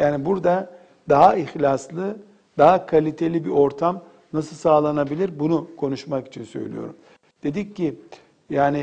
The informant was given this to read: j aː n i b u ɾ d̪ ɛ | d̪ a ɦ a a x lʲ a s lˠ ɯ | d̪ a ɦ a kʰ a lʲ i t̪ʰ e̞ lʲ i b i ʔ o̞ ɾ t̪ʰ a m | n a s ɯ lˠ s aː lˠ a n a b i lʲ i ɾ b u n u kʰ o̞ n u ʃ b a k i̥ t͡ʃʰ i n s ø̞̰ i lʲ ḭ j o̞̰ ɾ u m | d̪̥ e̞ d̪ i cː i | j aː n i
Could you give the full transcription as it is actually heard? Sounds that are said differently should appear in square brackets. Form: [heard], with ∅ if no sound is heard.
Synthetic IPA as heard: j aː n i b u ɾ d̪ [a] | d̪ a ɦ a [i] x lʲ a s lˠ ɯ | d̪ a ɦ a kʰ a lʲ i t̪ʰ e̞ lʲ i b i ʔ o̞ ɾ t̪ʰ a m | n a s ɯ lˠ s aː lˠ a n a b i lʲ i ɾ b u n u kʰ o̞ n u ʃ [m] a k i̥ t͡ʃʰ i n s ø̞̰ [j] lʲ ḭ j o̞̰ ɾ u m | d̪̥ e̞ d̪ i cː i | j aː n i